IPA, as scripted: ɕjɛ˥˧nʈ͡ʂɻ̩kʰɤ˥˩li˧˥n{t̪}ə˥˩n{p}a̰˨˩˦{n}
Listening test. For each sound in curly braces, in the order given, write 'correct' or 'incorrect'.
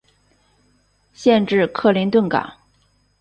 correct, incorrect: k, incorrect: ŋ

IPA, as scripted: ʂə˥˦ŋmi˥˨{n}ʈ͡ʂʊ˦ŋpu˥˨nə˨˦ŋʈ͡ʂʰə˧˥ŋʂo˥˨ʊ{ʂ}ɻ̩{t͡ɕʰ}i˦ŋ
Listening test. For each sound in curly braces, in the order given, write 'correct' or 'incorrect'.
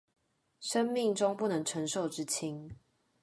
incorrect: ŋ, incorrect: ʈ͡ʂ, correct

